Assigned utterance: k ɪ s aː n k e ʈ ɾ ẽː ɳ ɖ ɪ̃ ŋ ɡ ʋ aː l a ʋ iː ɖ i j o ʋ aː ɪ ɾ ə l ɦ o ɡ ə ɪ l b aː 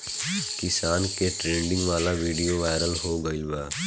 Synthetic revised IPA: k ɪ s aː n k e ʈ ɾ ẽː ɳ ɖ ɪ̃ ŋ ɡ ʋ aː l a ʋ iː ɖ i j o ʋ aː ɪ ɾ ə l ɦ o ɡ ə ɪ l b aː